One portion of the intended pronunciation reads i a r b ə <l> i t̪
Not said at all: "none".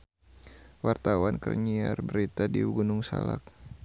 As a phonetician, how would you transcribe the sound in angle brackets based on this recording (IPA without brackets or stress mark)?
ɾ